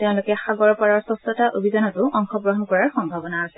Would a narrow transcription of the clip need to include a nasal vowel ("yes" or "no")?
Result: yes